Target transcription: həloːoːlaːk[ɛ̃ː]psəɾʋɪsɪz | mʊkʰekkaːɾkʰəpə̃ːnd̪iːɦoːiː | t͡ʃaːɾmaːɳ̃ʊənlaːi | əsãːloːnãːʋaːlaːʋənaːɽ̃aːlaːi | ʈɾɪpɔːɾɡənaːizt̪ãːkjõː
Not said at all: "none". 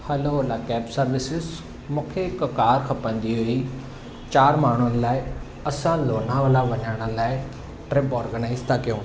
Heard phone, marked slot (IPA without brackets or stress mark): ɛː